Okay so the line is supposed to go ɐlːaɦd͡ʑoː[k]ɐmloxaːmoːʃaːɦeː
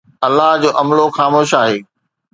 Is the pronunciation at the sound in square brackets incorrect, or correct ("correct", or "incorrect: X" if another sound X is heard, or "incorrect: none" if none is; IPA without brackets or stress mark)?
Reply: incorrect: ʔ